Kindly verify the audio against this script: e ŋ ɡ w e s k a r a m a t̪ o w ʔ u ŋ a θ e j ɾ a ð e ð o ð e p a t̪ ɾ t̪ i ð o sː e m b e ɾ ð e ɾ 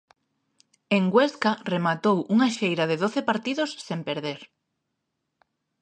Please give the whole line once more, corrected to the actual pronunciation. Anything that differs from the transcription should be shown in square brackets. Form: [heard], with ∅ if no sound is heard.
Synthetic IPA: e ŋ ɡ w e s k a r [e] m a t̪ o w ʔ u ŋ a [ʃ] e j ɾ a ð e ð o [θ] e p a [∅] ɾ t̪ i ð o sː e m [p] e ɾ ð e ɾ